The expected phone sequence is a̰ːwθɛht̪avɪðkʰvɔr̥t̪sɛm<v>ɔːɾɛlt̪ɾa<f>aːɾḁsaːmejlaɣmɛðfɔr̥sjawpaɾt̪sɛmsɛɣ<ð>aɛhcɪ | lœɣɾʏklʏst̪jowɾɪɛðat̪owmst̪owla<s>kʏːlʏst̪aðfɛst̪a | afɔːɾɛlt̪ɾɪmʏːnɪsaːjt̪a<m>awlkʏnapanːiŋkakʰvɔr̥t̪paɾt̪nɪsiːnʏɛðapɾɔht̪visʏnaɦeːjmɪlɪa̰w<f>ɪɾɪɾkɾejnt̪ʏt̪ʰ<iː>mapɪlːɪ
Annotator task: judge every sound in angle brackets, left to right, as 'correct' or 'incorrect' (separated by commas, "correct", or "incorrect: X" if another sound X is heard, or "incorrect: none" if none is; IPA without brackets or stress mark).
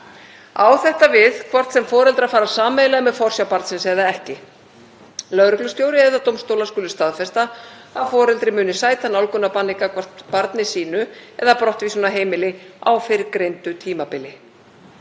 incorrect: f, correct, correct, correct, incorrect: n, correct, correct